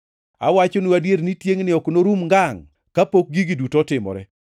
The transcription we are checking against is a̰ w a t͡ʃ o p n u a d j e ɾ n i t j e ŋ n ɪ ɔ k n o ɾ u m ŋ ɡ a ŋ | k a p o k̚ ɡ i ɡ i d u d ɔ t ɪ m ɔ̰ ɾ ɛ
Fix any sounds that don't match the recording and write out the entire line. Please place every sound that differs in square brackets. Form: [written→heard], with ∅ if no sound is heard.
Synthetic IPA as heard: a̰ w a t͡ʃ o [p→∅] n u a d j e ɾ n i t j e ŋ n ɪ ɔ k n o ɾ u m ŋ ɡ a ŋ | k a p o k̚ ɡ i ɡ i d u [d→t] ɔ t ɪ m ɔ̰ ɾ ɛ